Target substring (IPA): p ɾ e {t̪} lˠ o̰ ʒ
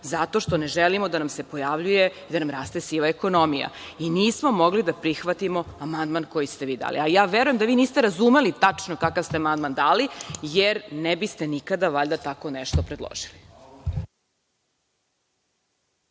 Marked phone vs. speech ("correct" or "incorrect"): incorrect